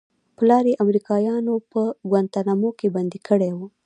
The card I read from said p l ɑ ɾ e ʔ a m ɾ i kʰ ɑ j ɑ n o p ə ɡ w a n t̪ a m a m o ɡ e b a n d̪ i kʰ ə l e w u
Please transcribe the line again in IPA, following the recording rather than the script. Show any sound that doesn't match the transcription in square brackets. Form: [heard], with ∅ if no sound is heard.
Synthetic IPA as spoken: p l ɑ ɾ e ʔ a m ɾ i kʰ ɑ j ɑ n o p ə ɡ w a n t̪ a [n] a m o [k] e b a n d̪ i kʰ ə [ɽ] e w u